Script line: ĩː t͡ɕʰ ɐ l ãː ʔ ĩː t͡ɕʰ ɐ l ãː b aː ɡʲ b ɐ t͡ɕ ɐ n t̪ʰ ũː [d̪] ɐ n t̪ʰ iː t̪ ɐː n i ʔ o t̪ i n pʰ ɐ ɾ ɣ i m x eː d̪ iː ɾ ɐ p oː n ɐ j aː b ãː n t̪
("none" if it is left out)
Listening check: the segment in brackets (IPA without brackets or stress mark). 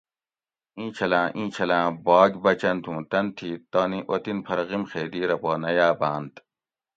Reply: t̪